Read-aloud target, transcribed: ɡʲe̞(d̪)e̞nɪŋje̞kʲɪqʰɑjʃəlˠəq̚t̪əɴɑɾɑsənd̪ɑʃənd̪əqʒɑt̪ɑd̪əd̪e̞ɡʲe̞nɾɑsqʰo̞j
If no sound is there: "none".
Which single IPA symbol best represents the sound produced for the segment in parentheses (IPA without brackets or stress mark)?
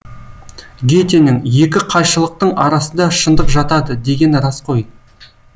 t̪